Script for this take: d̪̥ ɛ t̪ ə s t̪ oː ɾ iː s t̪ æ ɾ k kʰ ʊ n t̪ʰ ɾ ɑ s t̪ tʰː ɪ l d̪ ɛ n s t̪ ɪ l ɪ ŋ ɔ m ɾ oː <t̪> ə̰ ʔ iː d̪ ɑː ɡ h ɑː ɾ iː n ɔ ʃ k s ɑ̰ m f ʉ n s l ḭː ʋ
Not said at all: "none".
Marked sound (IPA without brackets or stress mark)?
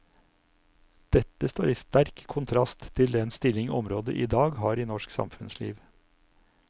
d̪